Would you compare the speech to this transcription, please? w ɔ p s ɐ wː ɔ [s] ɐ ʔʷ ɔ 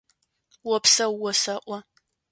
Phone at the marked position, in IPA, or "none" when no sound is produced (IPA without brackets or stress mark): s